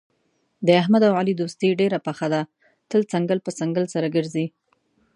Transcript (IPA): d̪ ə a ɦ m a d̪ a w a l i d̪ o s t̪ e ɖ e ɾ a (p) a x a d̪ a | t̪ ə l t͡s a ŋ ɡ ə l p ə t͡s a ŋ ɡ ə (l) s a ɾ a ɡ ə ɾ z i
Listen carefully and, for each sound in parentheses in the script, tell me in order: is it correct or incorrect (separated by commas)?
correct, correct